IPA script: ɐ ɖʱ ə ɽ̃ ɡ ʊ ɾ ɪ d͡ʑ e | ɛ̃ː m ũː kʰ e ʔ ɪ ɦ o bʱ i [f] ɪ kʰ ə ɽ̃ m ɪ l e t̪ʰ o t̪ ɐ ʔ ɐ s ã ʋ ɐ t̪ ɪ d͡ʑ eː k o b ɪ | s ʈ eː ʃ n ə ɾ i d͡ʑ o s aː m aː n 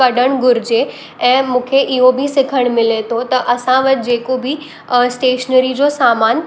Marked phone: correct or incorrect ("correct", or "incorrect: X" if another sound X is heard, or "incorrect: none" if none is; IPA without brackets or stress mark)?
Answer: incorrect: s